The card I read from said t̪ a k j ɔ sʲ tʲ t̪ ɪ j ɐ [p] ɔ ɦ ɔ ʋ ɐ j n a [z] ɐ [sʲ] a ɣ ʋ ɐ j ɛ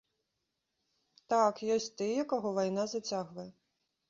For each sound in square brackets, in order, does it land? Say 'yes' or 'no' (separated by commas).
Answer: no, yes, no